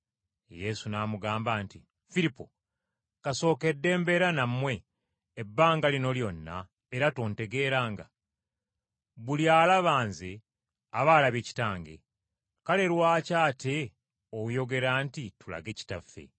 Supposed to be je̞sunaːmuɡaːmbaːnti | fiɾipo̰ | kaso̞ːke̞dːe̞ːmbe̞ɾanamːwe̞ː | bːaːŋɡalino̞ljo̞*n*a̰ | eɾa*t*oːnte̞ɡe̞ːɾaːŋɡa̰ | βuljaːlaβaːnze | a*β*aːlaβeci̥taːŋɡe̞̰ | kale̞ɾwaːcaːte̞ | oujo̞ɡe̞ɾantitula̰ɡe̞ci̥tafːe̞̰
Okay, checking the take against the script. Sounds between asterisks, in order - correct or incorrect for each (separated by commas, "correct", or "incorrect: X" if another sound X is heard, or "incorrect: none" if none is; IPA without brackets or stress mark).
incorrect: nː, correct, correct